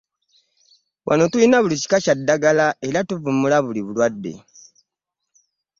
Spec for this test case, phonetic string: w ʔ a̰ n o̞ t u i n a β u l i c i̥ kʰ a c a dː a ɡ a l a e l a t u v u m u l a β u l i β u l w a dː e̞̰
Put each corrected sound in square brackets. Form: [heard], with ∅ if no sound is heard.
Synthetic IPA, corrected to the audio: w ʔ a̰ n o̞ t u i n a β u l i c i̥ [k] a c a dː a ɡ a l a e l a t u v u m u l a β u l i β u l w a dː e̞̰